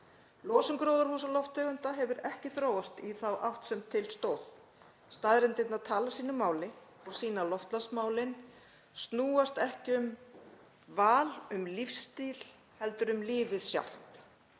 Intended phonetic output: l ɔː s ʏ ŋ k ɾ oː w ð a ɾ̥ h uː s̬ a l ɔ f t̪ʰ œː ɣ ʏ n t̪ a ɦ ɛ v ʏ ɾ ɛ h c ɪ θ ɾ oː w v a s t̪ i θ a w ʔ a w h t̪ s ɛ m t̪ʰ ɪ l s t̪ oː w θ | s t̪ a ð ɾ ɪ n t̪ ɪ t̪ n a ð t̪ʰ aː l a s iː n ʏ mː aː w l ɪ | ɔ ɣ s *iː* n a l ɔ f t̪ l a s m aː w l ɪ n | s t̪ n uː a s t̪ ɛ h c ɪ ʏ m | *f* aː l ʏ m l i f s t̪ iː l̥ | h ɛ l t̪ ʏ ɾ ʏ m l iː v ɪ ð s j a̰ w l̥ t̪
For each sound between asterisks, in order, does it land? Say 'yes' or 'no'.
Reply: yes, no

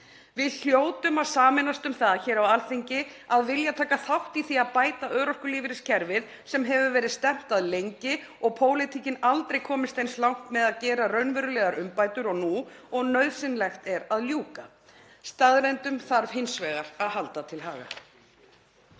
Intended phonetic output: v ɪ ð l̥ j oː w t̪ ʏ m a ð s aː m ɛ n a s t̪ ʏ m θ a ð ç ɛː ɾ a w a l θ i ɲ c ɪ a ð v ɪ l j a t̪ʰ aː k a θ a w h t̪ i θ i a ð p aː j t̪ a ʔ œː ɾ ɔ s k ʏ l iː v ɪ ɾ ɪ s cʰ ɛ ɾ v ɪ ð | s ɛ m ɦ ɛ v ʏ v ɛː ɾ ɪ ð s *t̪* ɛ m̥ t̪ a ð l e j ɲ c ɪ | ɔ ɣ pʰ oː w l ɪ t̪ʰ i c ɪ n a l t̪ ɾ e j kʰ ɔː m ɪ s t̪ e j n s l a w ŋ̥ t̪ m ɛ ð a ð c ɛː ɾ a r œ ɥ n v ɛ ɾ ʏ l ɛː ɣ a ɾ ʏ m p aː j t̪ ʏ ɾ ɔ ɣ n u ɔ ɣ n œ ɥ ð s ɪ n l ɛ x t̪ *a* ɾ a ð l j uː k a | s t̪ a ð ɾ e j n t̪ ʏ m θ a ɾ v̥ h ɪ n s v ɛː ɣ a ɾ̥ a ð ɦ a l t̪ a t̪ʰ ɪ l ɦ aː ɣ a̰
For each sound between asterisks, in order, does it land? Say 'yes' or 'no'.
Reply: yes, no

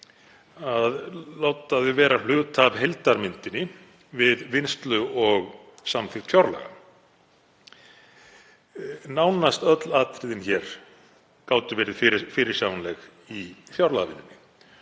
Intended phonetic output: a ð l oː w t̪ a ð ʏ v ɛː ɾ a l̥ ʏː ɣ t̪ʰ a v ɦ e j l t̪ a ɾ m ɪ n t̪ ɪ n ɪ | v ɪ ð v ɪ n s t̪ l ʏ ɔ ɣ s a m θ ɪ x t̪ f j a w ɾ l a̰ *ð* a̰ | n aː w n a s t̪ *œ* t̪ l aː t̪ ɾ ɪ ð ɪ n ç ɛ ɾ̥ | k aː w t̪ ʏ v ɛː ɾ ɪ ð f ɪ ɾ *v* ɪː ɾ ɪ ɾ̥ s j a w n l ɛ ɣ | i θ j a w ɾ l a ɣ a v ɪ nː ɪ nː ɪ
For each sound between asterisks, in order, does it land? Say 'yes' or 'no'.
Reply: no, yes, no

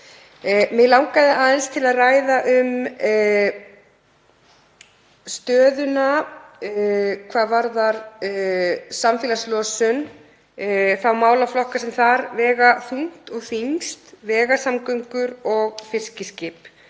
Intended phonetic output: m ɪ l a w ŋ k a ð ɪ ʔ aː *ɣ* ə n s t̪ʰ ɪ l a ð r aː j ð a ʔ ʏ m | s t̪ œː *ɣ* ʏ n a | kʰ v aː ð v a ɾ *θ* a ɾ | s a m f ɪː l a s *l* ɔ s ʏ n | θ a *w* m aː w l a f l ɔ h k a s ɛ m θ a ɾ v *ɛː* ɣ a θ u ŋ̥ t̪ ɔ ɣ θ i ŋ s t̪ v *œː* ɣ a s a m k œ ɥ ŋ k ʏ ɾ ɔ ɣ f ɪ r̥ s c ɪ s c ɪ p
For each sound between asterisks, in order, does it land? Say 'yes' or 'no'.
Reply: no, no, no, yes, yes, yes, no

